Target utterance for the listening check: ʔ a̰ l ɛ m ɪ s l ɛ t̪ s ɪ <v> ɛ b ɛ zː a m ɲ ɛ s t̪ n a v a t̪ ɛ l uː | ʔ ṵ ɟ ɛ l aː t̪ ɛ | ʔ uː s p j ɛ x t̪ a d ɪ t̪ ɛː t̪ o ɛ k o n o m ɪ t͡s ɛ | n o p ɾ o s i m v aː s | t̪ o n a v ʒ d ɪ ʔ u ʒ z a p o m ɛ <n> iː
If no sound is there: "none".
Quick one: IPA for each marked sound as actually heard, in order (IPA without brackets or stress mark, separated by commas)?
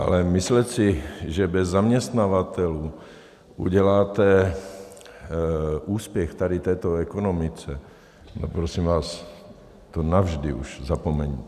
ʒ, ɲ